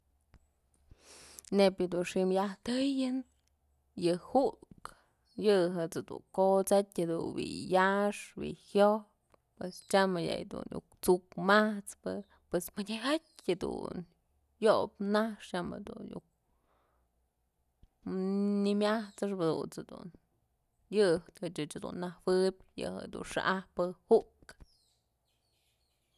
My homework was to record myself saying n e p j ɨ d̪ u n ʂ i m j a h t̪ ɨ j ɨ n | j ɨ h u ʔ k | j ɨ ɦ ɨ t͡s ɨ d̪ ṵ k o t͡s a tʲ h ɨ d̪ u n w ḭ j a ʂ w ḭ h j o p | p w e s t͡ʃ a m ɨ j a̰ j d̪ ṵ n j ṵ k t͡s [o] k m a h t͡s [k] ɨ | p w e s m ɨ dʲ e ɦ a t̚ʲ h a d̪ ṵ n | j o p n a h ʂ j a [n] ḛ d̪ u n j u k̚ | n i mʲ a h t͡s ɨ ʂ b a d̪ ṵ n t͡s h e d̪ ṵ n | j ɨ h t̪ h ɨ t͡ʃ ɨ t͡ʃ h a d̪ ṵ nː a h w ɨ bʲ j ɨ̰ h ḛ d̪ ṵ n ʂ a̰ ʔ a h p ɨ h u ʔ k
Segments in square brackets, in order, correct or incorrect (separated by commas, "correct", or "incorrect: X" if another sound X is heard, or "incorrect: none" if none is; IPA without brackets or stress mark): incorrect: u, incorrect: p, incorrect: m